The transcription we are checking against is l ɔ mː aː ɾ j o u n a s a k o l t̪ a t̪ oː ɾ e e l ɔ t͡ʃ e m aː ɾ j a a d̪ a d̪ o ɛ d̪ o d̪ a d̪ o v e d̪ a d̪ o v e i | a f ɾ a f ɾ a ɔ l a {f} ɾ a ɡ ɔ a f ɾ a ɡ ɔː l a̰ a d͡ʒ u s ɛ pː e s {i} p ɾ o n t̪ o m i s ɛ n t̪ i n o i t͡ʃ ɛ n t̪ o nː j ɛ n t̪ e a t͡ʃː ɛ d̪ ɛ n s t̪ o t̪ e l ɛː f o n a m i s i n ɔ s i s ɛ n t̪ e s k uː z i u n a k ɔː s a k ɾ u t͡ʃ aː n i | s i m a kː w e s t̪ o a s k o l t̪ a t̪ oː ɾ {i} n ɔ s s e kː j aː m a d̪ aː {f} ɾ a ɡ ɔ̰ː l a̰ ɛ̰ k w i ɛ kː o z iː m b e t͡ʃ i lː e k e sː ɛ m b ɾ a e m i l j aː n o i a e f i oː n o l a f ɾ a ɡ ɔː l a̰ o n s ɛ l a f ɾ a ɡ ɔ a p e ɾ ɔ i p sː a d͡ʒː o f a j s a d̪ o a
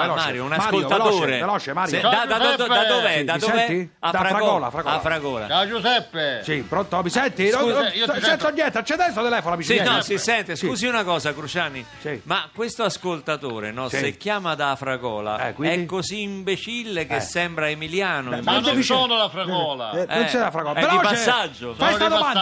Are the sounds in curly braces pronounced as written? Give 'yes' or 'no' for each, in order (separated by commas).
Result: yes, yes, no, yes